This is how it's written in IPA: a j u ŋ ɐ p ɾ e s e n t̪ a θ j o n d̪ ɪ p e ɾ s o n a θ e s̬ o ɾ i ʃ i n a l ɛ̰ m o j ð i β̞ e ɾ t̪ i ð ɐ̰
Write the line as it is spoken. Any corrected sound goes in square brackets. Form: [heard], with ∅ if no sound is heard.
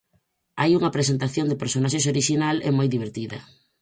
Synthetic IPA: a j u ŋ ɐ p ɾ e s e n t̪ a θ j o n d̪ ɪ p e ɾ s o n a [ʃ] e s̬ o ɾ i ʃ i n a l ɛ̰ m o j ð i β̞ e ɾ t̪ i ð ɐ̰